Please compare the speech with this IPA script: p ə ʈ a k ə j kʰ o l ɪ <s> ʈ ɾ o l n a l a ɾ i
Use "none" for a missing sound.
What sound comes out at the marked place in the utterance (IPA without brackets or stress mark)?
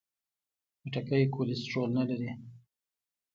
s